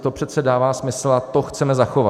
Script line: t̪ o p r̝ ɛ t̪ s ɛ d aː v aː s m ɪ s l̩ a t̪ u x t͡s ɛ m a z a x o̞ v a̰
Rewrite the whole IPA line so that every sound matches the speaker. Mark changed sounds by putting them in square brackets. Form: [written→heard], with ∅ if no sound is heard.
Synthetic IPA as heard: t̪ o p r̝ ɛ t̪ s ɛ d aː v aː s m ɪ s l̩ a t̪ [u→o] x t͡s ɛ m [a→ɛ] z a x o̞ v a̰